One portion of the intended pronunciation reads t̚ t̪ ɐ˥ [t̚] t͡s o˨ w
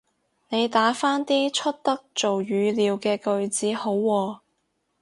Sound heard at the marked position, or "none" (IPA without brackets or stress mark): k̚